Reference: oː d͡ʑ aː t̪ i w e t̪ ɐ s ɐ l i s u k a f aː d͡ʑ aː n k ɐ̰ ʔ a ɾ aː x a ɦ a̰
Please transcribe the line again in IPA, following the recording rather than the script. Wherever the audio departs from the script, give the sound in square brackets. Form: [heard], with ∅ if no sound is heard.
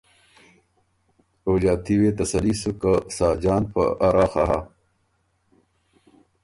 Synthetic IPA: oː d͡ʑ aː t̪ i w e t̪ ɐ s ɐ l i s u k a [s] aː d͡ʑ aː n [p] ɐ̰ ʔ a ɾ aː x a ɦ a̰